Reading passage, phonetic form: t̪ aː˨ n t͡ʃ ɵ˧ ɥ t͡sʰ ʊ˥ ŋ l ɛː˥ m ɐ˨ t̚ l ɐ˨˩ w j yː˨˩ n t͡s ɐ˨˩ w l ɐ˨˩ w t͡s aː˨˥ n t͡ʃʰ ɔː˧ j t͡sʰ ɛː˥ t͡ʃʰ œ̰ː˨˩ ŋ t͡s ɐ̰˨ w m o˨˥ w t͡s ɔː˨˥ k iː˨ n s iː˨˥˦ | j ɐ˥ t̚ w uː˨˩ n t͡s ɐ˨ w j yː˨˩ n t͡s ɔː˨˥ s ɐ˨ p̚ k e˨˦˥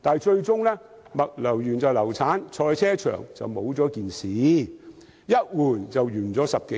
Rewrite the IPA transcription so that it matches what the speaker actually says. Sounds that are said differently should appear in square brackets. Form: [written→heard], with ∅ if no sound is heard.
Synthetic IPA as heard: t̪ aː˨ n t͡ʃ ɵ˧ ɥ [t͡sʰ→t͡s] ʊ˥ ŋ l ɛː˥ m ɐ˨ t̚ l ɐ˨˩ w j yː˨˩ n t͡s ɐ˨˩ w l ɐ˨˩ w [t͡s→t͡sʰ] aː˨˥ n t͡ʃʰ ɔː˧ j t͡sʰ ɛː˥ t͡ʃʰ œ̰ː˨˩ ŋ t͡s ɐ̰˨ w m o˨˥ w t͡s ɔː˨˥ k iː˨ n s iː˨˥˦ | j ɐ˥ t̚ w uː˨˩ n t͡s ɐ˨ w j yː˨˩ n t͡s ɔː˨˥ s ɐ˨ p̚ k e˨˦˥